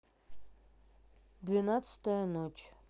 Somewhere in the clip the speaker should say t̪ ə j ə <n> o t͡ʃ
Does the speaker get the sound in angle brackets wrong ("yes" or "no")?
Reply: no